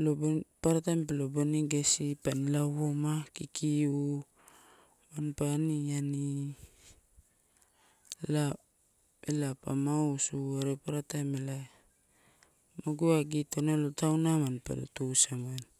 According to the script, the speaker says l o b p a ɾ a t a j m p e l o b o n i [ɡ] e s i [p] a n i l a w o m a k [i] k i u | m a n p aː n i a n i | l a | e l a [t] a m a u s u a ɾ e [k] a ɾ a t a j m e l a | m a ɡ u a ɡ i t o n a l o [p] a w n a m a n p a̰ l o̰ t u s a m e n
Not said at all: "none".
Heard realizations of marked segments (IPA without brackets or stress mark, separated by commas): ɡ, p, i, p, p, t